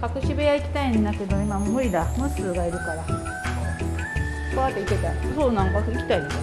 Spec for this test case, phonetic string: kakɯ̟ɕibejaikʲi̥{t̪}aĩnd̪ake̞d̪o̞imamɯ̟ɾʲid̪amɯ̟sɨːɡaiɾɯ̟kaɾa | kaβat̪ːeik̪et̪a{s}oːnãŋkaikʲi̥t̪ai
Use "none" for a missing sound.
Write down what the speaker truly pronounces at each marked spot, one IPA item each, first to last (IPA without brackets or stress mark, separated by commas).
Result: t̪, s